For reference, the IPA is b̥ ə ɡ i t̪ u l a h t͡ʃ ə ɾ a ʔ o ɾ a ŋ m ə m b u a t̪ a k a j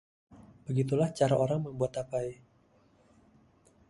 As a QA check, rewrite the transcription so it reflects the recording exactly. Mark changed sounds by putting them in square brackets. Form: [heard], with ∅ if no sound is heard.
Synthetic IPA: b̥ ə ɡ i t̪ u l a h t͡ʃ [a] ɾ a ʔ o ɾ a ŋ m ə m b u a t̪ a [p] a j